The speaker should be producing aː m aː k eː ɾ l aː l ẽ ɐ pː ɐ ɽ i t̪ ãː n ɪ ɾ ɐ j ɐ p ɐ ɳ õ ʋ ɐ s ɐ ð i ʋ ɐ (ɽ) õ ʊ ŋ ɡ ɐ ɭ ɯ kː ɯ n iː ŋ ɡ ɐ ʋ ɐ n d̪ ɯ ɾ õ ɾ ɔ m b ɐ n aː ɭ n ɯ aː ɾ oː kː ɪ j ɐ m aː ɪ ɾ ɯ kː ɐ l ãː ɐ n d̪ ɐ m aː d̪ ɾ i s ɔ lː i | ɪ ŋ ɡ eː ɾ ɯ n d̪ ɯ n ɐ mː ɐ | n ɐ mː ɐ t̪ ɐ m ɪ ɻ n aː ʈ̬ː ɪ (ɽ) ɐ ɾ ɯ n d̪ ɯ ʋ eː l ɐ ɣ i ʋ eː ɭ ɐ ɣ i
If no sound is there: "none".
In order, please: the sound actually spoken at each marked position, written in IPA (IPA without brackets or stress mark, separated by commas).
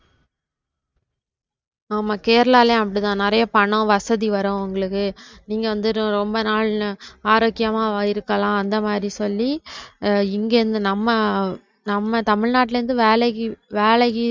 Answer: ɾ, l